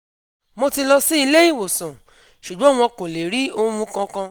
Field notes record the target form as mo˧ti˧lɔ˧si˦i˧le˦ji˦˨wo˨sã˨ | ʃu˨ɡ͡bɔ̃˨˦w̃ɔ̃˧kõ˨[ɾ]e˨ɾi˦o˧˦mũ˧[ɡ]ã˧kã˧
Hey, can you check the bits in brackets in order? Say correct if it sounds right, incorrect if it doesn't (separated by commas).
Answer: incorrect, incorrect